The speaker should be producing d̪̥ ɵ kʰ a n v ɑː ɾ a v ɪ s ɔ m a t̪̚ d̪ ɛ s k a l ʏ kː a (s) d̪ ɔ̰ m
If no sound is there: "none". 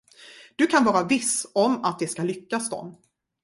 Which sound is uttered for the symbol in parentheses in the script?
s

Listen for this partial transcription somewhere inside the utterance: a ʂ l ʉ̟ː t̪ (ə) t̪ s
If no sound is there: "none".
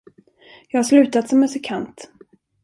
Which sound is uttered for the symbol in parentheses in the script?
a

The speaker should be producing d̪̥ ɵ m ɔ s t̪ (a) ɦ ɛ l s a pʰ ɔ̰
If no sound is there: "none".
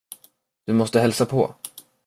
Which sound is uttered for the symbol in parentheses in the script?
ə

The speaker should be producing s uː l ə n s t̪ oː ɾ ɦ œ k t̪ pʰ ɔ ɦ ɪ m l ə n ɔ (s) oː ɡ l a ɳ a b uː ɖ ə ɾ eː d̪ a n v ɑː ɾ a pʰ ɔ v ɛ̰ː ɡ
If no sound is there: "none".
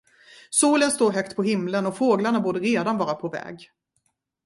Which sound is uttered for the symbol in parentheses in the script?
f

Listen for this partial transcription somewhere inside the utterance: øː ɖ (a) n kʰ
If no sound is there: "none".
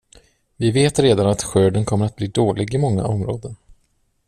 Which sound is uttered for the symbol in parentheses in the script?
ə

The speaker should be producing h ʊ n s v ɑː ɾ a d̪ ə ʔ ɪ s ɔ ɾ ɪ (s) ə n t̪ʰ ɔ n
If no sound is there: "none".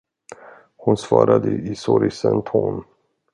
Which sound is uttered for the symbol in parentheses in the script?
s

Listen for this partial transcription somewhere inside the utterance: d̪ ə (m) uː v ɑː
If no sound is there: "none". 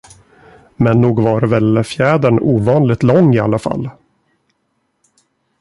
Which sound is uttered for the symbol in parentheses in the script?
ɳ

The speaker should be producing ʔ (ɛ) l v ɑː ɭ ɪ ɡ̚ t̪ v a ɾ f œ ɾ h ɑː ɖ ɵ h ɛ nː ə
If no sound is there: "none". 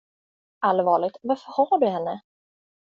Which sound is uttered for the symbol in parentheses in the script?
a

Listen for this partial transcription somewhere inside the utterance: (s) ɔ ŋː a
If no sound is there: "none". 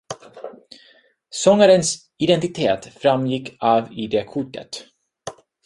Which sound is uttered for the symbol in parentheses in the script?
s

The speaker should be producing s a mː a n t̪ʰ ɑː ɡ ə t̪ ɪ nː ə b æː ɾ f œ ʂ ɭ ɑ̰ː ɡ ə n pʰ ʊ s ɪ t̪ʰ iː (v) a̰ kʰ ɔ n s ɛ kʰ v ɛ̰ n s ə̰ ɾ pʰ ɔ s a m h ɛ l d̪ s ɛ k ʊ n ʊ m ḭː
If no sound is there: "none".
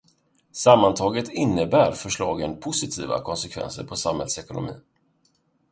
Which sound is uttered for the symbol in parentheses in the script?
v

